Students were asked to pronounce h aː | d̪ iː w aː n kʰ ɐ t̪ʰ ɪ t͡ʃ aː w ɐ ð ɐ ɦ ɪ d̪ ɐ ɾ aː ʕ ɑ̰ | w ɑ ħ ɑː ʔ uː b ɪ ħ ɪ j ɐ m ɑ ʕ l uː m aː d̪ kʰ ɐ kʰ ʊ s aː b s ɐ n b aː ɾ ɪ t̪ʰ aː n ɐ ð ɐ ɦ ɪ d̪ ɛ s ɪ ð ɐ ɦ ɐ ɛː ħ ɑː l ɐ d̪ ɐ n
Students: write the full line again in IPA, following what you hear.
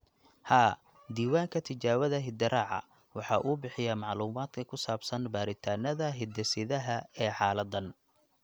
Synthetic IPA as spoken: h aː | d̪ iː w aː ŋ kʰ ɐ t̪ʰ ɪ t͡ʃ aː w ɐ ð ɐ ɦ ɪ d̪ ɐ ɾ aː ʕ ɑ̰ | w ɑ ħ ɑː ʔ uː b ɪ ħ ɪ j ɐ m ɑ ʕ l uː m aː d̪ kʰ ɐ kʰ ʊ s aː b s ɐ n b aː ɾ ɪ t̪ʰ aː n ɐ ð ɐ ɦ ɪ d̪ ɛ s ɪ ð ɐ ɦ ɐ ɛː ħ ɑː l ɐ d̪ ɐ n